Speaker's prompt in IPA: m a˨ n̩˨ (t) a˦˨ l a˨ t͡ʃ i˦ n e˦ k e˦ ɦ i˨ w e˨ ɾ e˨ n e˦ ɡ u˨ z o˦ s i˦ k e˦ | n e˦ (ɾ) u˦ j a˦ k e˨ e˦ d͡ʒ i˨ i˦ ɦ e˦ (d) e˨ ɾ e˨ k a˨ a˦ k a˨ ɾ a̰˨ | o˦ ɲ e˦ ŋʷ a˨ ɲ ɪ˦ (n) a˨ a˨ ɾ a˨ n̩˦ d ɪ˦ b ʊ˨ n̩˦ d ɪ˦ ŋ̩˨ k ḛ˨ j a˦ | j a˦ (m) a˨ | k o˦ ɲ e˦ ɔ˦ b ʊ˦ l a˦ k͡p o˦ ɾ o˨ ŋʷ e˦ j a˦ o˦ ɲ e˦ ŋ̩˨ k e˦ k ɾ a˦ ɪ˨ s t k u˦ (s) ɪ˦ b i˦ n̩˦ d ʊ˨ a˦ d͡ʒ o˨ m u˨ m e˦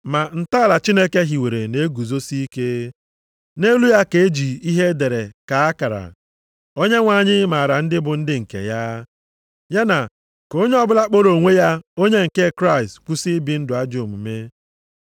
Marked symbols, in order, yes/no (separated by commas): yes, no, yes, no, no, yes